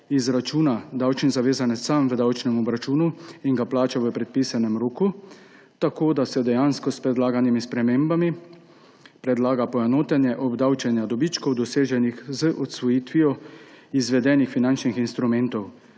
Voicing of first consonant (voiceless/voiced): voiced